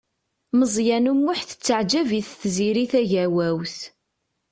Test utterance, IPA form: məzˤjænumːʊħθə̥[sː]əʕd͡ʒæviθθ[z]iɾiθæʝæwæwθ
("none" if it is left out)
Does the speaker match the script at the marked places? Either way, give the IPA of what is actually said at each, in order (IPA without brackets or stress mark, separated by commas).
t͡sː, z